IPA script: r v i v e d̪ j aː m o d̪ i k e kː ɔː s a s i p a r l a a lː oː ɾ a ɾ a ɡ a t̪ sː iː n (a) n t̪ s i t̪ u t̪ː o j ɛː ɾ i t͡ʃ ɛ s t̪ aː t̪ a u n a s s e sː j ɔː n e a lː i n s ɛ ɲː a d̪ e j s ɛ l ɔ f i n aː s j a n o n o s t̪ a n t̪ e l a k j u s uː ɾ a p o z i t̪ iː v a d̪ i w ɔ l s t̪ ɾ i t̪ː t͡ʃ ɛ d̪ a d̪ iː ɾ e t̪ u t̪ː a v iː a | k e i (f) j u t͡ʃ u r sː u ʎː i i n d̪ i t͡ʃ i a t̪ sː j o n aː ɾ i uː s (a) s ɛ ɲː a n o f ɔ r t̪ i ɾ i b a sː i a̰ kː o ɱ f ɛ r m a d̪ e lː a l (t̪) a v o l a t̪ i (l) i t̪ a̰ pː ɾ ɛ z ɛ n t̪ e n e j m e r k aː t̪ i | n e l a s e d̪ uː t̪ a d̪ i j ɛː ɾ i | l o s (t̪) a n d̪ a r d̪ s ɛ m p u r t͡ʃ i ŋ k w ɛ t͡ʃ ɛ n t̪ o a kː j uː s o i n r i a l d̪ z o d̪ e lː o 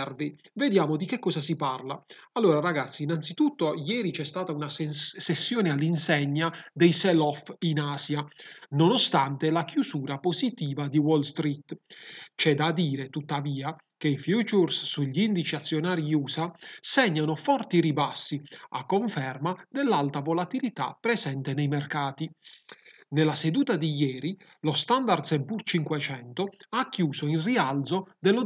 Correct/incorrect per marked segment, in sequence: correct, correct, correct, correct, correct, correct

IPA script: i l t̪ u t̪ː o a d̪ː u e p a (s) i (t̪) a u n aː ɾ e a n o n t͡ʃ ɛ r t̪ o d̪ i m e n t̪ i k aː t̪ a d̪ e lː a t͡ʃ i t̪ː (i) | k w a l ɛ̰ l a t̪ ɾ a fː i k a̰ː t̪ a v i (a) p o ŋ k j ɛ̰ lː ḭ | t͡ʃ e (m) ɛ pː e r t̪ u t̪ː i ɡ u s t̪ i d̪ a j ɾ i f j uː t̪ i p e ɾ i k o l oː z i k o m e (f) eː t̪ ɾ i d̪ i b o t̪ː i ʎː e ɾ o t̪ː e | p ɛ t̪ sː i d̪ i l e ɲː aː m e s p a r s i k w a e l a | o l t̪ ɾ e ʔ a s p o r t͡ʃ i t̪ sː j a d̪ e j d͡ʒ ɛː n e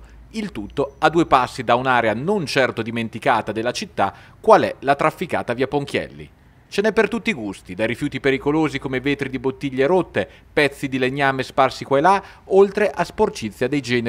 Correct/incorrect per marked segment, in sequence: incorrect: sː, incorrect: d̪, incorrect: a, correct, incorrect: n, incorrect: v

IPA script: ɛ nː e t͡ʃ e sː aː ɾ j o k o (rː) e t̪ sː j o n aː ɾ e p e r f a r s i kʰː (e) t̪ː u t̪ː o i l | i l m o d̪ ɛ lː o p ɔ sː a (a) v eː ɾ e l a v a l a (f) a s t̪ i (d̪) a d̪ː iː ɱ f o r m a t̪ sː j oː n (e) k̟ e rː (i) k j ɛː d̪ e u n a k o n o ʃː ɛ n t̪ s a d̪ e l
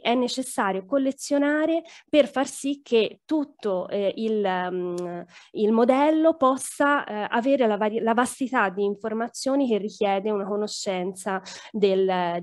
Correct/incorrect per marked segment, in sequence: incorrect: lː, correct, correct, incorrect: v, incorrect: t̪, incorrect: i, correct

